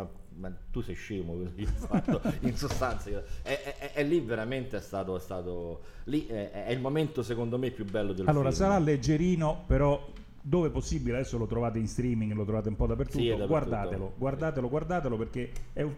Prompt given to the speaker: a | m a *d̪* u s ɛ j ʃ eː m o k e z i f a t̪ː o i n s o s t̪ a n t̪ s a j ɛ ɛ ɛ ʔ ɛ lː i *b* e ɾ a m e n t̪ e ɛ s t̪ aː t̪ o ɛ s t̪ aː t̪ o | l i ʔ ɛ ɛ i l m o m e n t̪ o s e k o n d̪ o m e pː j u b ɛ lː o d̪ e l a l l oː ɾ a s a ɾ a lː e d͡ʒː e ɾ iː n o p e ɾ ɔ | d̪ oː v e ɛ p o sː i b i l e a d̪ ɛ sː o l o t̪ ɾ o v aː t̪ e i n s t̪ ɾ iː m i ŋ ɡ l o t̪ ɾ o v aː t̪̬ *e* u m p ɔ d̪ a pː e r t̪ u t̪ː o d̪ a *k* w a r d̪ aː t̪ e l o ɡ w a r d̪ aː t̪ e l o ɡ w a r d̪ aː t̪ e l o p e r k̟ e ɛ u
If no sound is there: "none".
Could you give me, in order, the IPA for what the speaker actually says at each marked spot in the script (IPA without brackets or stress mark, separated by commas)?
t̪, v, e, ɡ